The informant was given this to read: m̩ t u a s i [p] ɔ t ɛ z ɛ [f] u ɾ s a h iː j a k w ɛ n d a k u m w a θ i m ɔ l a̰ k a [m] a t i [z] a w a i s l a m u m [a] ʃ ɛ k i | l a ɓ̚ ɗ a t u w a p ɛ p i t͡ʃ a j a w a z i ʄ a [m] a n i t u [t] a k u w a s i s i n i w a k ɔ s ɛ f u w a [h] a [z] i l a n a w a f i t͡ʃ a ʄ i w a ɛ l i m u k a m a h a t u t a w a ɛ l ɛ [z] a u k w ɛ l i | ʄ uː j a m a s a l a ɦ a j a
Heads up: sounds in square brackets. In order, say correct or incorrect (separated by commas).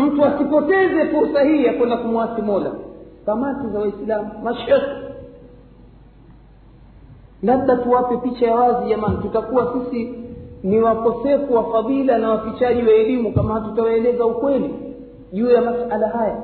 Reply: correct, correct, correct, correct, correct, correct, correct, incorrect, incorrect, correct